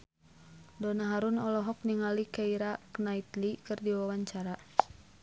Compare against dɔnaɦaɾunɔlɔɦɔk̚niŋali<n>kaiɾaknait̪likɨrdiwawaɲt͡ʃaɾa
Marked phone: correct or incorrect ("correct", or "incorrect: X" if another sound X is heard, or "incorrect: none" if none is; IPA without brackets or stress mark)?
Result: incorrect: none